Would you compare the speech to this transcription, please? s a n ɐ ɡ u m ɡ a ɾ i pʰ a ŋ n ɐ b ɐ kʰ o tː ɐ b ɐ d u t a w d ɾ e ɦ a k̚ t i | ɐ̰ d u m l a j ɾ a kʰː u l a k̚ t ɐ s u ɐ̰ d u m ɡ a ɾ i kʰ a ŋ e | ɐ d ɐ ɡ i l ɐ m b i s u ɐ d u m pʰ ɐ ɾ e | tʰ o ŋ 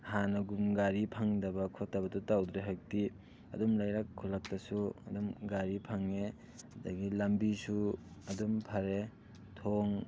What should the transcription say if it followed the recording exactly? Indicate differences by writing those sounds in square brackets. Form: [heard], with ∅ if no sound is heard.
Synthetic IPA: [h] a n ɐ ɡ u m ɡ a ɾ i pʰ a ŋ [d] ɐ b ɐ kʰ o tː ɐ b ɐ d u t a w d ɾ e ɦ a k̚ t i | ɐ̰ d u m l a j ɾ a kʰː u l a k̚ t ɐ s u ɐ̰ d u m ɡ a ɾ i [pʰ] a ŋ e | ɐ d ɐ ɡ i l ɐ m b i s u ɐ d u m pʰ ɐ ɾ e | tʰ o ŋ